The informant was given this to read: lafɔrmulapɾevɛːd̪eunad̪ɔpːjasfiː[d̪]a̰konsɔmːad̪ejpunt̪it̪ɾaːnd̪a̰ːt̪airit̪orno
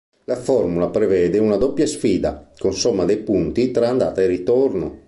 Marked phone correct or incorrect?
correct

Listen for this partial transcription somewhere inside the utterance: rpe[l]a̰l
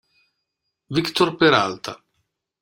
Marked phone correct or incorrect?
incorrect: ɾ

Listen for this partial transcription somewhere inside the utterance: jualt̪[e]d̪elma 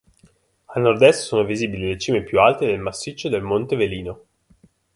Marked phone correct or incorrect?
correct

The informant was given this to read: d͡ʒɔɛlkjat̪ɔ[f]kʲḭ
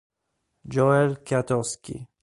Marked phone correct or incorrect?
incorrect: s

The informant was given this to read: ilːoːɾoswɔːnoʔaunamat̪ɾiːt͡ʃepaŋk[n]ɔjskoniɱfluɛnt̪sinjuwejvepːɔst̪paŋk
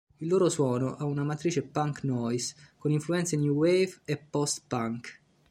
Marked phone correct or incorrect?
correct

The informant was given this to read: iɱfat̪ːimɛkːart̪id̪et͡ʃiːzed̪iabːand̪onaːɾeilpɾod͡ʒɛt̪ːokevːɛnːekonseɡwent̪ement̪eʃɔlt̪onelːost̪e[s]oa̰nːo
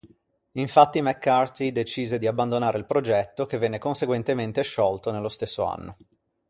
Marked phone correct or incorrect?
incorrect: sː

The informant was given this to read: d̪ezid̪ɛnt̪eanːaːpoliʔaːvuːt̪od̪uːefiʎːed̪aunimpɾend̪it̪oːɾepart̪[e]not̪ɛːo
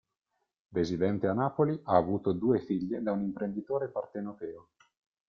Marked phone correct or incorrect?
correct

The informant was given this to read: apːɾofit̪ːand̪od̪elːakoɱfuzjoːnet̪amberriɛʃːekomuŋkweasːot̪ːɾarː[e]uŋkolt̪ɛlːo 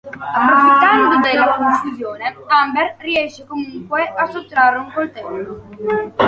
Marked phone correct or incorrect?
correct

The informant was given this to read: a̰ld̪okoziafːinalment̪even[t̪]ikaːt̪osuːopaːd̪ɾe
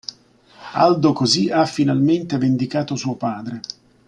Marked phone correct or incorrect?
incorrect: d̪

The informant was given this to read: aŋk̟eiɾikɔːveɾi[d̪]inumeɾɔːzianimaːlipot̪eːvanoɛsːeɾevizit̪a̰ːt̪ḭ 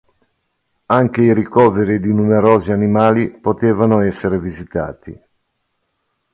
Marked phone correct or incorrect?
correct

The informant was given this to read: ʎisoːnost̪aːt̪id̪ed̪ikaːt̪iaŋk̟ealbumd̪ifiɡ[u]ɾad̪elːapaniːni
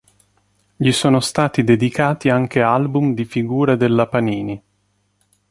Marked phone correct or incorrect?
incorrect: uː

